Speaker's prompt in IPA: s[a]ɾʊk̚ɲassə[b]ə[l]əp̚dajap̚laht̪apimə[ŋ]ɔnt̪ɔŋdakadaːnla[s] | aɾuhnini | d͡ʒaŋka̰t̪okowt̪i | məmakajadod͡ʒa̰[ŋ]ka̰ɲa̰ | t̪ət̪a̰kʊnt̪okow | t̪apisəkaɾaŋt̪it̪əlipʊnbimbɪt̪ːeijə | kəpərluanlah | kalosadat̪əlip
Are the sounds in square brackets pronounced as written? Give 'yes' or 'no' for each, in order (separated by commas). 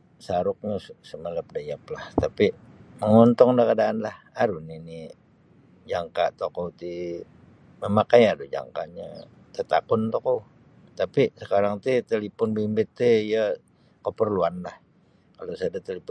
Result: yes, no, yes, yes, no, yes